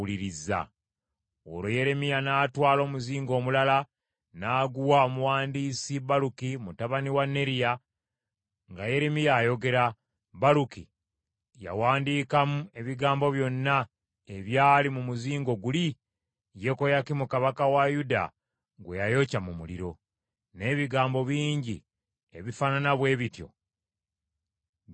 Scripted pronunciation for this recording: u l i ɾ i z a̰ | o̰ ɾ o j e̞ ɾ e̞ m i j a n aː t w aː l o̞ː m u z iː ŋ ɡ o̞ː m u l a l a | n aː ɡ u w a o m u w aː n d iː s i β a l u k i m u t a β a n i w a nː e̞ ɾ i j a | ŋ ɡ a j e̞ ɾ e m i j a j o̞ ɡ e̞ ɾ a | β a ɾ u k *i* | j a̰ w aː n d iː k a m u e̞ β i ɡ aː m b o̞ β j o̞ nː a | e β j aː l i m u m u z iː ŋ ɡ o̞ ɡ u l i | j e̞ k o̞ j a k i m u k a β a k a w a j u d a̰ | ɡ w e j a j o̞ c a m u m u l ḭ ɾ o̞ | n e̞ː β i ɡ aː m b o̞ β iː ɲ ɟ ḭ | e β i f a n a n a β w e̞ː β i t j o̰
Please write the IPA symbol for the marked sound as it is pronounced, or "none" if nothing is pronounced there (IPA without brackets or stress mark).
i